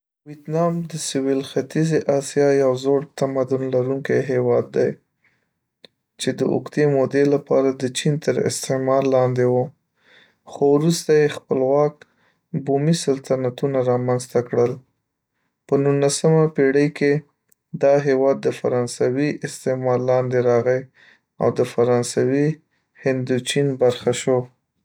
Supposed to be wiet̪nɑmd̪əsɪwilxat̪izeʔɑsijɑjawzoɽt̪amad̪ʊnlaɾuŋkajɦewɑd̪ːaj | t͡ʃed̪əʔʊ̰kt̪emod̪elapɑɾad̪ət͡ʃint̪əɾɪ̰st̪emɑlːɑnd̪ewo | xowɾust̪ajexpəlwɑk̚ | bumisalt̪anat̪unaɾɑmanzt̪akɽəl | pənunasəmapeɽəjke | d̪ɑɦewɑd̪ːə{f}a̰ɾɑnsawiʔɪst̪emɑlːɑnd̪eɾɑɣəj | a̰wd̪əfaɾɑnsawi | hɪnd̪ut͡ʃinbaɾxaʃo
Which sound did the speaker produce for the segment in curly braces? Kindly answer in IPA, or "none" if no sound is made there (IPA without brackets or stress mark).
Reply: f